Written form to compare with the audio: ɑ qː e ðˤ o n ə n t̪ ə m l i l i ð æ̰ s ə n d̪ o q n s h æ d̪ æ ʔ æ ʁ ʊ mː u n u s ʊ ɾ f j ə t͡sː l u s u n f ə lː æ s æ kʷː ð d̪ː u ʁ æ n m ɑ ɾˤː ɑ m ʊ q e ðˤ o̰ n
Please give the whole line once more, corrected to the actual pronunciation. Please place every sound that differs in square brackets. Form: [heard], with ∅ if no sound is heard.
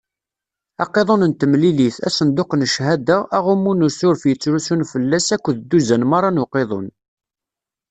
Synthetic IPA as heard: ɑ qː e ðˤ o n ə n t̪ ə m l i l i [θ] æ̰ s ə n d̪ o q n [ʃ] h æ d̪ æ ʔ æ ʁ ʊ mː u n u s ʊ ɾ f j ə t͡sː [ɾ] u s u n f ə lː æ s æ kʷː ð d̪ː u [z] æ n m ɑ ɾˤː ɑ [n] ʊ q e ðˤ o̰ n